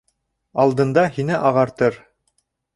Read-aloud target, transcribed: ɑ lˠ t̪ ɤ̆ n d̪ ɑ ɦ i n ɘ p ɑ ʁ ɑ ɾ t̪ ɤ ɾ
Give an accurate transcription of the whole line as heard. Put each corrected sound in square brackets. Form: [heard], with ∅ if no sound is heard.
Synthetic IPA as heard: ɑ lˠ [d̪] ɤ̆ n d̪ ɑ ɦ i n ɘ [ʔ] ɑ ʁ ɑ ɾ t̪ ɤ ɾ

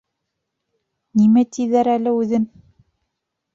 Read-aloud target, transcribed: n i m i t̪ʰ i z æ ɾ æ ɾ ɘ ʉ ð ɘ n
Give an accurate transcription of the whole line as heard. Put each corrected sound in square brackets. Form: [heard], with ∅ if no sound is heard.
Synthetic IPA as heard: n i m [æ] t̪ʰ i [ð] æ ɾ æ [l] ɘ ʉ ð ɘ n

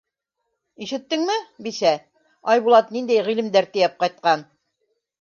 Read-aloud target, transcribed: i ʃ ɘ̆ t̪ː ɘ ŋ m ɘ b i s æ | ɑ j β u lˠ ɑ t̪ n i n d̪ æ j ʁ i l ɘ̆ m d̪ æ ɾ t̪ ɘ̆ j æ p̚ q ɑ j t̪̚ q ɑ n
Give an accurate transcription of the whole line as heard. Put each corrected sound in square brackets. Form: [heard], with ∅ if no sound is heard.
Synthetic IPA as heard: i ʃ ɘ̆ t̪ː ɘ ŋ m ɘ b i s æ | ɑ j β u lˠ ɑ t̪ n i n d̪ æ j ʁ i l ɘ̆ m d̪ æ ɾ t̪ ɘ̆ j æ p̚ q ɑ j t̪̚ q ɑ n

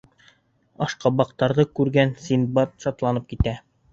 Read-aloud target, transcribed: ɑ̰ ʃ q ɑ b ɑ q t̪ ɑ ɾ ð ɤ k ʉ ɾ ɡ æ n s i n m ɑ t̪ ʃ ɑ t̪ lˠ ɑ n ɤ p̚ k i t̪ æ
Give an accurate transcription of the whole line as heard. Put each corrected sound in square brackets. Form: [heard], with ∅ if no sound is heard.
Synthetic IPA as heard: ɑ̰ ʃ q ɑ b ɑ q t̪ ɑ ɾ ð ɤ k ʉ ɾ ɡ æ n s i n [b] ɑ t̪ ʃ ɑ t̪ lˠ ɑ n ɤ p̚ k i t̪ æ

